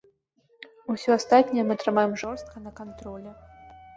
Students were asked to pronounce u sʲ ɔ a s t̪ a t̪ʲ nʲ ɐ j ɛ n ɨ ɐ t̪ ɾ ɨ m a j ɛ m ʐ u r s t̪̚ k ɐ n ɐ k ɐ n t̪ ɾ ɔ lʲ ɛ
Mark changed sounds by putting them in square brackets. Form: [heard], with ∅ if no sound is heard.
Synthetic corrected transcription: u sʲ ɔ a s t̪ a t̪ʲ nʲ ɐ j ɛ [m] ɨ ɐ t̪ ɾ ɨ m a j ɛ m ʐ [ɔ] r s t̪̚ k ɐ n ɐ k [a] n t̪ ɾ ɔ lʲ ɛ